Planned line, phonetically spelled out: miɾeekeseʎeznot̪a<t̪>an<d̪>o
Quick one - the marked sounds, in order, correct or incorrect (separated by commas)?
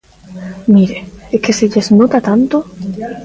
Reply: correct, incorrect